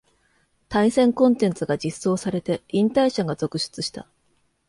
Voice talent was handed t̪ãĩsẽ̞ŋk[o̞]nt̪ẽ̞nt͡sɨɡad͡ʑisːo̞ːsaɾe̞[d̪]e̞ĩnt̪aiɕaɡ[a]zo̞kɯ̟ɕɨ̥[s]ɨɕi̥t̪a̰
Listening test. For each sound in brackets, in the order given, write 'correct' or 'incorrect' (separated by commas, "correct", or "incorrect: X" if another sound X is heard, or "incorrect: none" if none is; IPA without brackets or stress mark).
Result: incorrect: õ̞, incorrect: t̪, correct, incorrect: t͡s